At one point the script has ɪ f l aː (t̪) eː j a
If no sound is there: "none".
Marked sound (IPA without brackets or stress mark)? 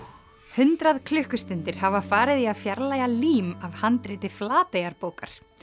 t̪